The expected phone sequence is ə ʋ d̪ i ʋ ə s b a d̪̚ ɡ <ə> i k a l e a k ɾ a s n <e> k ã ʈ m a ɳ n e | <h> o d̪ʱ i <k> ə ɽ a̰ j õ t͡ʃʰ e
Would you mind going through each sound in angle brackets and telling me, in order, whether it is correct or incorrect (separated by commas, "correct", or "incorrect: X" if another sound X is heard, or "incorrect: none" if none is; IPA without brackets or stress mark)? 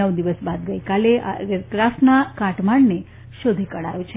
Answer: correct, incorrect: a, incorrect: ʃ, correct